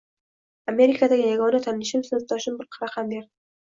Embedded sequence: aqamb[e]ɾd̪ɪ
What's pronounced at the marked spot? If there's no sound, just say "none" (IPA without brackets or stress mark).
e